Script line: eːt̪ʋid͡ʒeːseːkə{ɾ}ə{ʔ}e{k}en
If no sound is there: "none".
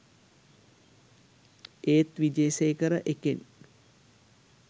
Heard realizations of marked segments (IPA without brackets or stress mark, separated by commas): ɾ, ʔ, k